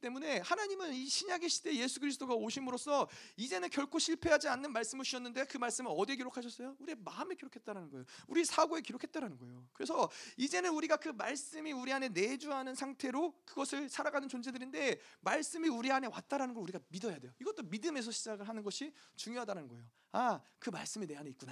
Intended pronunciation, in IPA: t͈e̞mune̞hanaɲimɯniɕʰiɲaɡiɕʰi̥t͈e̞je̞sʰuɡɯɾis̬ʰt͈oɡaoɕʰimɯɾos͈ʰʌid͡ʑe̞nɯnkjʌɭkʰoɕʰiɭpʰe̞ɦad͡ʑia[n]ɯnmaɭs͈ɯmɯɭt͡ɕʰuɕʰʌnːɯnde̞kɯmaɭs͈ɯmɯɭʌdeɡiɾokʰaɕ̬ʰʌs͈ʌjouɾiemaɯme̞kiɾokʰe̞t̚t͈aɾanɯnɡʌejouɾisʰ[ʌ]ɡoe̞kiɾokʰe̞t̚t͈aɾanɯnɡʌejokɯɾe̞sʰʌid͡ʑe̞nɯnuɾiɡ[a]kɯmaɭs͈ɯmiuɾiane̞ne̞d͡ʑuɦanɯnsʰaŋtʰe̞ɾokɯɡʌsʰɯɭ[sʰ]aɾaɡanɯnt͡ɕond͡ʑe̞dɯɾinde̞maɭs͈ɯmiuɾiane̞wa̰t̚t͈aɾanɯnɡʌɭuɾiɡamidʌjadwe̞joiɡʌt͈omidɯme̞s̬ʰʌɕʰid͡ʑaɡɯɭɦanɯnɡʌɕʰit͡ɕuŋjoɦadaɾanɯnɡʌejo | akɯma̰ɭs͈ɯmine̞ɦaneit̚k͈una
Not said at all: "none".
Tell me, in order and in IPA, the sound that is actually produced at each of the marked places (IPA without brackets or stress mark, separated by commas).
nː, a, a, sʰ